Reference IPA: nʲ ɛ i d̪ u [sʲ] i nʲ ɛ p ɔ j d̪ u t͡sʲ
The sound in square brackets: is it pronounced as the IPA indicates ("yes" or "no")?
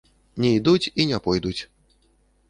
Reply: no